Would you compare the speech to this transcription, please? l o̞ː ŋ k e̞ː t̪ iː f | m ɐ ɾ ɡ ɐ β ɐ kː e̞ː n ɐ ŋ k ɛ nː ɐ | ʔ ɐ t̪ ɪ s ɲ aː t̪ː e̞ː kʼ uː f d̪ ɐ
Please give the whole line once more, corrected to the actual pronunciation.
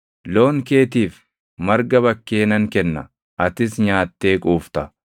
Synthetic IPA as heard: l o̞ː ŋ k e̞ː t̪ iː f | m ɐ ɾ ɡ ɐ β ɐ kː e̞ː n ɐ ŋ k ɛ nː ɐ | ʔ ɐ t̪ ɪ s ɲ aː t̪ː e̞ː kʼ uː f t̪ ɐ